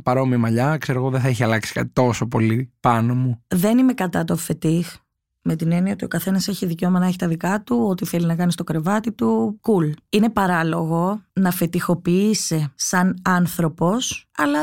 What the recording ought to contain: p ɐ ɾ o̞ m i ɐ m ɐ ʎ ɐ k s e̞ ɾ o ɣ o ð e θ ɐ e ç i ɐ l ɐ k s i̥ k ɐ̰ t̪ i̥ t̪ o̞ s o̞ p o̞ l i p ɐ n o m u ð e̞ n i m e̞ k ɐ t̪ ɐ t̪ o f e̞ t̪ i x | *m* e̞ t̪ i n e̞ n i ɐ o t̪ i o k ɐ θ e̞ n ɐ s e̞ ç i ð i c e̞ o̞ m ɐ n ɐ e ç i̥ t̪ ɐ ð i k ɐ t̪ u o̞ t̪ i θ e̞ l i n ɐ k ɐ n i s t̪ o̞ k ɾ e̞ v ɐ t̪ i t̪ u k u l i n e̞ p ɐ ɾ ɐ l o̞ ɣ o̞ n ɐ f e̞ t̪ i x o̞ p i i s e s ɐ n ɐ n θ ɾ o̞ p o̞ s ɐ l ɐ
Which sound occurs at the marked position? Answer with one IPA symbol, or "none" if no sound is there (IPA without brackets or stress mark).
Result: m